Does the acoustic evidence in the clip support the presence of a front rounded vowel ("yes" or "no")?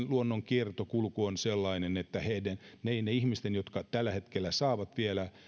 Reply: no